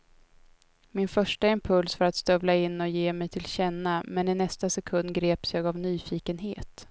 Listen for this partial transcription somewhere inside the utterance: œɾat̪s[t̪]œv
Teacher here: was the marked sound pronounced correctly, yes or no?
yes